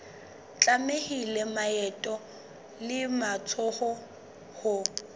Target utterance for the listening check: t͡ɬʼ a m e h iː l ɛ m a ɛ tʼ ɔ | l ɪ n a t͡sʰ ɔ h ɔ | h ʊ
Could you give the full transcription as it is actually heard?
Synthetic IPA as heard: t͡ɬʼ a m e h i l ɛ m a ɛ tʼ ɔ | l ɪ m a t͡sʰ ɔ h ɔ | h ʊ